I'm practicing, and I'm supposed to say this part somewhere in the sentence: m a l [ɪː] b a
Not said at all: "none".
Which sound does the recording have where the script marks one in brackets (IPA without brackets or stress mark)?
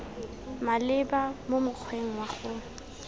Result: ɪ